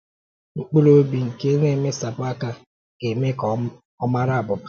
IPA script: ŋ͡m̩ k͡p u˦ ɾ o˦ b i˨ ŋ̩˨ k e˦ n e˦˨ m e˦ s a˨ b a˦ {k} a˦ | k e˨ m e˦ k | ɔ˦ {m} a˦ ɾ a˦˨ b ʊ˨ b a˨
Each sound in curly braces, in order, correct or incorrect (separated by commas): correct, correct